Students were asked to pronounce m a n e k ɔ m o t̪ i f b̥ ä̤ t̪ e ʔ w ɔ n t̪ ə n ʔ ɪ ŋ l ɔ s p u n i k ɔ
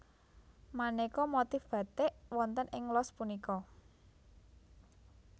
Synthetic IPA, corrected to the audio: m a n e k ɔ m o t̪ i f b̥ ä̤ t̪ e ʔ w ɔ n t̪ ə n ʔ ɪ ŋ l ɔ s p u n i k ɔ